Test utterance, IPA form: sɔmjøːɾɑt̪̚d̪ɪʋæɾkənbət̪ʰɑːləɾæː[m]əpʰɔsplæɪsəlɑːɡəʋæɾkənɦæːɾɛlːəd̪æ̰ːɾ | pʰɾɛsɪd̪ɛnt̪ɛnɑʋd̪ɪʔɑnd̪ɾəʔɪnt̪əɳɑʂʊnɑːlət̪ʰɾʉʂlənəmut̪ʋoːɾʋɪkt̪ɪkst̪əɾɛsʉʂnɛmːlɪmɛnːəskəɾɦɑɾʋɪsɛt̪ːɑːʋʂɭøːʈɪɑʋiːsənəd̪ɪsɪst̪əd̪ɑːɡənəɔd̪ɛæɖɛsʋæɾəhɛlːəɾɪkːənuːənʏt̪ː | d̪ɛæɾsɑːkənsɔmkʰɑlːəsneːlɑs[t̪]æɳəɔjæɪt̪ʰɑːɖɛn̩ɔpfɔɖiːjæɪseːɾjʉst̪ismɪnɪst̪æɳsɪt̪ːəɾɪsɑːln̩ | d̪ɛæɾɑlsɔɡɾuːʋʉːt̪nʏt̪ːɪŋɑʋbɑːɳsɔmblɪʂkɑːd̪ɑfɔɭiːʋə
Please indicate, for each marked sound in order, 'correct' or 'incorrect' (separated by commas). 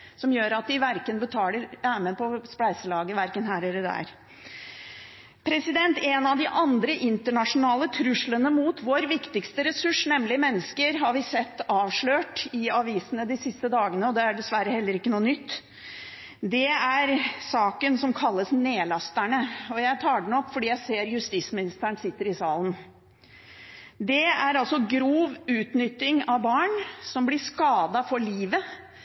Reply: correct, correct